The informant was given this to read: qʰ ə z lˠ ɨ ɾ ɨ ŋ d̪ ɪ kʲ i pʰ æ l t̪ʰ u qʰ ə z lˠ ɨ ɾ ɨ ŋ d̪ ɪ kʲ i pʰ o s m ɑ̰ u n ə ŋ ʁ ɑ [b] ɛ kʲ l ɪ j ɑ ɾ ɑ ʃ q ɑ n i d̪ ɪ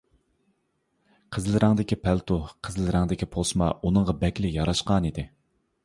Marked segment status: correct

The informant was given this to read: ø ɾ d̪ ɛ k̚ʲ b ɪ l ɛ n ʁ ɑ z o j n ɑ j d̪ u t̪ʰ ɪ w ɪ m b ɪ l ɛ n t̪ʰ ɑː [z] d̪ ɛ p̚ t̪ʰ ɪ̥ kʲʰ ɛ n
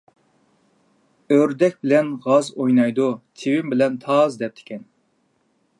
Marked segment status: correct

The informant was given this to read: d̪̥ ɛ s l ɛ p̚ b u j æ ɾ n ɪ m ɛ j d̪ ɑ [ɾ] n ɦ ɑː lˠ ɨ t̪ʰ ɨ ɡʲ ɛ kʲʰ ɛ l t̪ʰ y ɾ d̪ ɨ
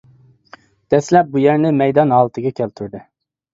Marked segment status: incorrect: none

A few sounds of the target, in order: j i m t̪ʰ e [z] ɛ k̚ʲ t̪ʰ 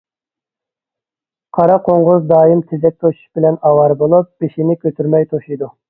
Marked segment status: correct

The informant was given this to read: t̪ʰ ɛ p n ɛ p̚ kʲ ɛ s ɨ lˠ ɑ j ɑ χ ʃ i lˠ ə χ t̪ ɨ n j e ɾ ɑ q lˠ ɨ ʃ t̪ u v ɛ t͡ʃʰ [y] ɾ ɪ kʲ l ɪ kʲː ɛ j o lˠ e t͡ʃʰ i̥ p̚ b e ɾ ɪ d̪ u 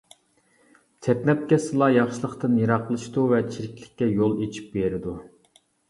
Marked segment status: incorrect: i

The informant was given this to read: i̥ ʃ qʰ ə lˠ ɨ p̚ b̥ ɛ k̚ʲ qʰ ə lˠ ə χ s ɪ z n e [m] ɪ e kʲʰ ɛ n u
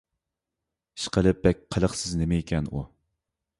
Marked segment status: correct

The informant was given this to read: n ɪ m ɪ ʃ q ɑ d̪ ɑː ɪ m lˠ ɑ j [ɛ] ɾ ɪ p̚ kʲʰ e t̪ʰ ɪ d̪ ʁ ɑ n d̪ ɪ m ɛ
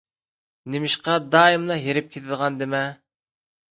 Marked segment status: incorrect: e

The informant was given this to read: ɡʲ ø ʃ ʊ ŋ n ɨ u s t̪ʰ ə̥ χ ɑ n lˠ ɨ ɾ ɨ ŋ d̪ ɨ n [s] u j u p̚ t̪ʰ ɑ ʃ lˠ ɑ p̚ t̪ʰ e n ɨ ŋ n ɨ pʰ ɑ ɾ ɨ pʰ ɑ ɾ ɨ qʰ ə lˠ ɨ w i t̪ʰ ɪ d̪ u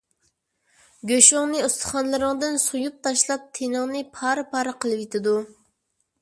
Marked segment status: correct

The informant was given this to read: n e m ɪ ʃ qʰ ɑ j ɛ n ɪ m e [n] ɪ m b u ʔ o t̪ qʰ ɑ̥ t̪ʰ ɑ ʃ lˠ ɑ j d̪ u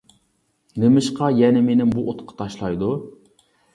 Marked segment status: correct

